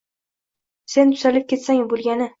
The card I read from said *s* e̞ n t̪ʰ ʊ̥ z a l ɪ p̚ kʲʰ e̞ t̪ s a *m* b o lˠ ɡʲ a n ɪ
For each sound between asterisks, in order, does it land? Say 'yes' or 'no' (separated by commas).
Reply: yes, no